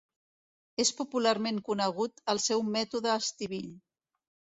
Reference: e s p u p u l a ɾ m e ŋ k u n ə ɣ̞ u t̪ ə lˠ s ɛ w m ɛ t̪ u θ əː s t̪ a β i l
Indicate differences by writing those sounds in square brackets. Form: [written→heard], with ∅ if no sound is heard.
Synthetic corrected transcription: e s p u p u l a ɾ m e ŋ k u n ə ɣ̞ u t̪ ə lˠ s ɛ w m ɛ t̪ u [θ→ð] əː s t̪ [a→i] β i [l→ʎ]